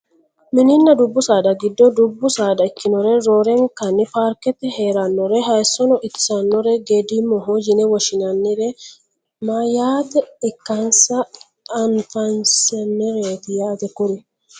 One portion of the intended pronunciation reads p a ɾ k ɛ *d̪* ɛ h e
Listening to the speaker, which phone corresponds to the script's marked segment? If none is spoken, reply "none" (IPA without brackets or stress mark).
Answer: t̪